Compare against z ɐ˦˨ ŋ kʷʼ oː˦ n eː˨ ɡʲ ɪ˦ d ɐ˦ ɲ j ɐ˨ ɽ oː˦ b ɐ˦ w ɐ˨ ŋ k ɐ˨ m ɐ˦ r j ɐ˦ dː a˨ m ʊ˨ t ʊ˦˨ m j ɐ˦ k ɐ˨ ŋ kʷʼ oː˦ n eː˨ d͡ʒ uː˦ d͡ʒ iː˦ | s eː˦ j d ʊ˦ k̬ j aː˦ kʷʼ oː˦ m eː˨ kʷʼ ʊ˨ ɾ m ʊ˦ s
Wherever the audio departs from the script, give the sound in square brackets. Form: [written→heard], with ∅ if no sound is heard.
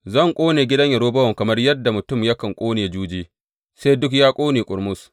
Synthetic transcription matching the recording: z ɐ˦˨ ŋ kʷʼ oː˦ n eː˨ ɡʲ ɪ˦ d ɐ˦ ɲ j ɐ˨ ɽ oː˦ b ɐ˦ w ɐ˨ ŋ k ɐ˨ m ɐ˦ r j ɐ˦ dː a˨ m ʊ˨ t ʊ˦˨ m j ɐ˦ k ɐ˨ ŋ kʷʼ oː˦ n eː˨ d͡ʒ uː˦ d͡ʒ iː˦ | s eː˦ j d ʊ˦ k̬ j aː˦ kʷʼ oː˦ [m→n] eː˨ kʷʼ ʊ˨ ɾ m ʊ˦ s